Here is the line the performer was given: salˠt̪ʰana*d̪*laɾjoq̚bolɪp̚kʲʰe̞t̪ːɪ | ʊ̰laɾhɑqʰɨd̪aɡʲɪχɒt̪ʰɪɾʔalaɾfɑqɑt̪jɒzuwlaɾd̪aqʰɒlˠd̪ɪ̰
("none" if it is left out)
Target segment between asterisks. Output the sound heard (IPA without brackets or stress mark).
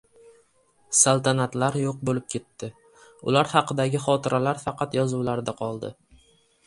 t̪